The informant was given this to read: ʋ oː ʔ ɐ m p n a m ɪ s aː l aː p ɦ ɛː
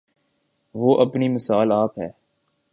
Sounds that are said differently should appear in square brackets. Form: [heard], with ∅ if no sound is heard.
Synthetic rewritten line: ʋ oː ʔ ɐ [∅] p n [i] m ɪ s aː l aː p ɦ ɛː

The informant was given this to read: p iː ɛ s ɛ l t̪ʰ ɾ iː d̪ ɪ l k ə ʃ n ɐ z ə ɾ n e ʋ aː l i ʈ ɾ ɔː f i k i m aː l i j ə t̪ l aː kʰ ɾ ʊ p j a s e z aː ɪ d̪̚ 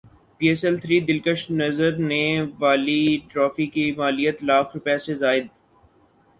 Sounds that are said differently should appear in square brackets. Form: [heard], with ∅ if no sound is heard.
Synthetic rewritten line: p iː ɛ s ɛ l t̪ʰ ɾ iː d̪ ɪ l k ə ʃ n ɐ z ə ɾ n e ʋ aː l i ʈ ɾ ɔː f i k i m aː l i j ə t̪ l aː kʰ ɾ ʊ p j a s e z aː ɪ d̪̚

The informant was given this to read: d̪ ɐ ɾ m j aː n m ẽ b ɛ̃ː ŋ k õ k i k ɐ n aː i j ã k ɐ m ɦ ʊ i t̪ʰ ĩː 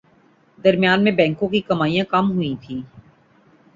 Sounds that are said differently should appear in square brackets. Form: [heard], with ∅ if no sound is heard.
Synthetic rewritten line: d̪ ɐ ɾ m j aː n m ẽ b ɛ̃ː ŋ k õ k i k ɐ [m] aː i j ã k ɐ m ɦ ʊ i t̪ʰ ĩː

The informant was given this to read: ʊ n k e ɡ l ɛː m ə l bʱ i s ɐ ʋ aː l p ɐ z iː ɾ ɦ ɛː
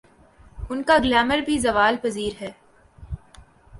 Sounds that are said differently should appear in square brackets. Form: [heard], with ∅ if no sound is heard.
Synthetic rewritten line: ʊ n k [a] ɡ l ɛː m ə [ɾ] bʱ i [z] ɐ ʋ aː l p ɐ z iː ɾ ɦ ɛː

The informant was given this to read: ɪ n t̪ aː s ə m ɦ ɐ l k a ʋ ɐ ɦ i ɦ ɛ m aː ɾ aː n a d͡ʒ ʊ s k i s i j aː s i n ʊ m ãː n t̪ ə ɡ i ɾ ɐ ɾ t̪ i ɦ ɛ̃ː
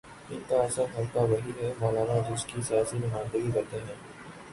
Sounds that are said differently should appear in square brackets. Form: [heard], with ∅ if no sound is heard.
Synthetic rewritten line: ɪ n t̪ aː s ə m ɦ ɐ l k a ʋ ɐ ɦ i ɦ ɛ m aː [l] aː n a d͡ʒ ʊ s k i s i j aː s i n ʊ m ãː n [d̪] ə ɡ i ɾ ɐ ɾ t̪ [e] ɦ ɛ̃ː

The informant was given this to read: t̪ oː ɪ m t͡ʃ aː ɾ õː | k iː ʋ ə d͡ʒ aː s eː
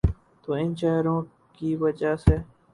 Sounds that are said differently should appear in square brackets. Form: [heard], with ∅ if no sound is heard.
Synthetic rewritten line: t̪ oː ɪ [n] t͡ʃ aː ɾ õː | k iː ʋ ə d͡ʒ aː s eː

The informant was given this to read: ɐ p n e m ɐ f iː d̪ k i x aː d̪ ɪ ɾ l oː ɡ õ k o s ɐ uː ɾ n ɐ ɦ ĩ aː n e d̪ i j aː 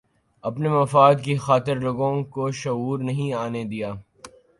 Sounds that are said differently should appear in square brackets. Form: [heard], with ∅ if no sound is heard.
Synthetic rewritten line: ɐ p n e m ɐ f [aː] d̪ k i x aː [t̪] ɪ ɾ l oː ɡ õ k o [ʃ] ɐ uː ɾ n ɐ ɦ ĩ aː n e d̪ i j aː

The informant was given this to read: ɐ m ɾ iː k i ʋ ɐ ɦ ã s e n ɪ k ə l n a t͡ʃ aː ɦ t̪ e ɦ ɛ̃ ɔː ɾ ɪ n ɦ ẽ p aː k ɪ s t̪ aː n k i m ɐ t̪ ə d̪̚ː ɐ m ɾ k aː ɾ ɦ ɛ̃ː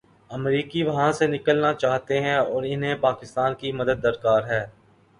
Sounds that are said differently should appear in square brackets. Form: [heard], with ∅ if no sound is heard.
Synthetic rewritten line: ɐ m ɾ iː k i ʋ ɐ ɦ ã s e n ɪ k ə l n a t͡ʃ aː ɦ t̪ e ɦ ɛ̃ ɔː ɾ ɪ n ɦ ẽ p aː k ɪ s t̪ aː n k i m ɐ [d̪] ə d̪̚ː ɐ [∅] ɾ k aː ɾ ɦ [ɛː]

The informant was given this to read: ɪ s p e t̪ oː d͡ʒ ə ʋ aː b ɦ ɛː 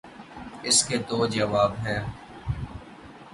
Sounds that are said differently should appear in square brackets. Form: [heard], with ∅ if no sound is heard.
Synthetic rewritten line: ɪ s [k] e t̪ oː d͡ʒ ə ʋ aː b ɦ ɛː

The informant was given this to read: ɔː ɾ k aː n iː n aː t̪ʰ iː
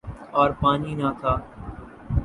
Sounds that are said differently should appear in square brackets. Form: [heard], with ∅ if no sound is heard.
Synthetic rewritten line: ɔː ɾ [p] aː n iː n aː t̪ʰ [aː]

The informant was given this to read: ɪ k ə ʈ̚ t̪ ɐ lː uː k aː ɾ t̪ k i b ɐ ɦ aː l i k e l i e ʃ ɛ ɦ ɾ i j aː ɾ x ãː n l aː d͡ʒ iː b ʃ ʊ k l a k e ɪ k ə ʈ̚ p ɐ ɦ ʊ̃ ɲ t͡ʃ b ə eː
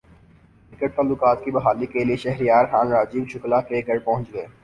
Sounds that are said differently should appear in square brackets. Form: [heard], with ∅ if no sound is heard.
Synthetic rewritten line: ɪ k ə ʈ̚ t̪ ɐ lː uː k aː [∅] t̪ k i b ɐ ɦ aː l i k e l i e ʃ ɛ ɦ ɾ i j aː ɾ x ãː n [ɾ] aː d͡ʒ iː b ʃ ʊ k l a k e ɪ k ə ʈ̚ p ɐ ɦ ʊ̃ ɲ t͡ʃ [ɡ] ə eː

